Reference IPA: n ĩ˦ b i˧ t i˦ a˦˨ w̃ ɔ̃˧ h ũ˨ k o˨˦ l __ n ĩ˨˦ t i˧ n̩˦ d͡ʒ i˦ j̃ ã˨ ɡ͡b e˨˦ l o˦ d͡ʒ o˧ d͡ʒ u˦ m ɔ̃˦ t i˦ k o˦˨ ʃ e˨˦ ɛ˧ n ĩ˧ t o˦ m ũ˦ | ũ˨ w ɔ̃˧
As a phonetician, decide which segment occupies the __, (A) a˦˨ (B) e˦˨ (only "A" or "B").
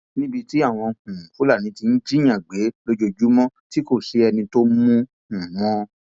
A